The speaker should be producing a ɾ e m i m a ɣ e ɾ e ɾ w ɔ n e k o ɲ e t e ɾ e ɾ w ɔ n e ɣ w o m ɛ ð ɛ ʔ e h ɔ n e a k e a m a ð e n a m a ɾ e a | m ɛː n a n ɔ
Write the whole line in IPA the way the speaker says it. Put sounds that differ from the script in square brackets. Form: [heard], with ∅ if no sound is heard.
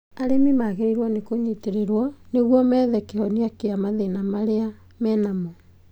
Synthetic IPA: a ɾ e m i m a ɣ e ɾ e ɾ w ɔ n e k o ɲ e t e ɾ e ɾ w ɔ n e ɣ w [ɔ] m ɛ ð ɛ [k] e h ɔ n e a k e a m a ð e n a m a ɾ e a | m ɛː n a [m] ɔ